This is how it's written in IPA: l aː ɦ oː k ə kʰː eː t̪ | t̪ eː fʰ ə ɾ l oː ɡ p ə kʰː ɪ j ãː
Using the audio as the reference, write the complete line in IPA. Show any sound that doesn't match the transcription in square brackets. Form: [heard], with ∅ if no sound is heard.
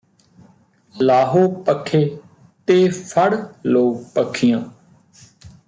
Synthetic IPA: l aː ɦ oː [p] ə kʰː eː [∅] | t̪ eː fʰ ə [ɽ] l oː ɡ p ə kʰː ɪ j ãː

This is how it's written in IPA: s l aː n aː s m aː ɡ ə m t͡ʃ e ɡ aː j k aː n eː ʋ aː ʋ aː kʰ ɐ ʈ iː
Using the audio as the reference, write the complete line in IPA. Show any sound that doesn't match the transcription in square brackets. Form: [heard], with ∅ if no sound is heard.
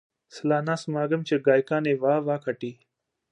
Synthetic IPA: s l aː n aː s m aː ɡ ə m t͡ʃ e ɡ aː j k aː n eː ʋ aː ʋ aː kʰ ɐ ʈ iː

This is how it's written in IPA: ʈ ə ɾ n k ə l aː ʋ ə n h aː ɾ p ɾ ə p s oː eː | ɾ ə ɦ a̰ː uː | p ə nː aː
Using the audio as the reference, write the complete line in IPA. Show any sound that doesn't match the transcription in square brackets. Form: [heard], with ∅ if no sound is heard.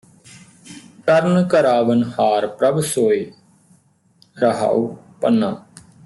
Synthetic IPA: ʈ ə ɾ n k ə [ɾ] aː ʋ ə n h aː ɾ p ɾ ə [b] s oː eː | ɾ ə ɦ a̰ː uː | p ə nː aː

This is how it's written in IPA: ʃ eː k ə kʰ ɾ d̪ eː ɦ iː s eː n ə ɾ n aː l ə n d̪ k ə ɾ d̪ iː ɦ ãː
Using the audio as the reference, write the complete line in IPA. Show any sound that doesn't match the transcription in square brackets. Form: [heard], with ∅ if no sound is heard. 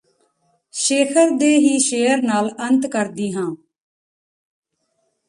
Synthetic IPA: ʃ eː [kʰ] ə [∅] ɾ d̪ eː ɦ iː [ʃ] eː [∅] ə ɾ n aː l ə n [t̪] k ə ɾ d̪ iː ɦ ãː

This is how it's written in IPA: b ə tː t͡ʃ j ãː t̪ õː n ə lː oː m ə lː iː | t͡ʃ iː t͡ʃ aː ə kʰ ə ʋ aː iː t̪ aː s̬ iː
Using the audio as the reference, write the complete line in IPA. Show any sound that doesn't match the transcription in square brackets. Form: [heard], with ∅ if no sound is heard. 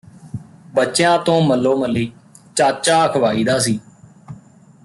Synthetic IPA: b ə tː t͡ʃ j ãː t̪ õː [m] ə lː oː m ə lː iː | t͡ʃ [aː] t͡ʃ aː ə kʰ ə ʋ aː iː [d̪] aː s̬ iː

